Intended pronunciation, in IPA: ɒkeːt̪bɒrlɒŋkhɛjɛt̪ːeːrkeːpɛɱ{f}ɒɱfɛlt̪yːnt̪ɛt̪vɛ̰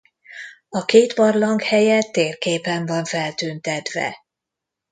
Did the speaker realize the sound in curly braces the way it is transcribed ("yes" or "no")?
no